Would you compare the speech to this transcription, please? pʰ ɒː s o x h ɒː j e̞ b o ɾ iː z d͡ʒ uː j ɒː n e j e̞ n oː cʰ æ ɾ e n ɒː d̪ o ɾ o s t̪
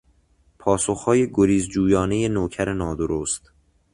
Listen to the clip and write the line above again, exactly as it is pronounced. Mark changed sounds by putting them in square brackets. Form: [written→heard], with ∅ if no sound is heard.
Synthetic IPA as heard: pʰ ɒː s o x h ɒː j e̞ [b→ɡ] o ɾ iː z d͡ʒ uː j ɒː n e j e̞ n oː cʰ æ ɾ e n ɒː d̪ o ɾ o s t̪